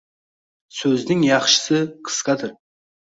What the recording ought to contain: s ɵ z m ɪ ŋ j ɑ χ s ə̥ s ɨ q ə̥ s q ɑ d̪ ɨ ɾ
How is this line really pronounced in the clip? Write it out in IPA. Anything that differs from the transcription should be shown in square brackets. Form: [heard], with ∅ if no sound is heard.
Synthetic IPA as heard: s ɵ z [n] ɪ ŋ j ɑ χ [ʃ] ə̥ s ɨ [qʰ] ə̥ s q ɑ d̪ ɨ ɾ